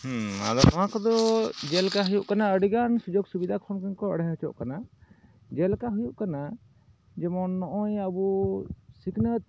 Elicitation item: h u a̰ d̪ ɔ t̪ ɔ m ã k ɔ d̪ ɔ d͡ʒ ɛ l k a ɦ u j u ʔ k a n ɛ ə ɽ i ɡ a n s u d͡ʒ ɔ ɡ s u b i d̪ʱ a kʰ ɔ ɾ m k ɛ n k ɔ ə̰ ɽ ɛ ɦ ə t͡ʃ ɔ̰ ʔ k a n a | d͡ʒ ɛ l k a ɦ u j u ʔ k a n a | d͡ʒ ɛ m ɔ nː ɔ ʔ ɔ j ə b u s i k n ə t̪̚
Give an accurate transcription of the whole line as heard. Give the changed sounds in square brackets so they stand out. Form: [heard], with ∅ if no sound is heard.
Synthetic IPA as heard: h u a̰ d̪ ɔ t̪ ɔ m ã k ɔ d̪ ɔ d͡ʒ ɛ l k a ɦ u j u ʔ k a n [a] ə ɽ i ɡ a n s u d͡ʒ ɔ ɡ s u b i d̪ʱ a kʰ ɔ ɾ m k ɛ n k ɔ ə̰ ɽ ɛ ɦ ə t͡ʃ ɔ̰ ʔ k a n a | d͡ʒ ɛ l k a ɦ u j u ʔ k a n a | d͡ʒ ɛ m ɔ nː ɔ ʔ ɔ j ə b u s i k n ə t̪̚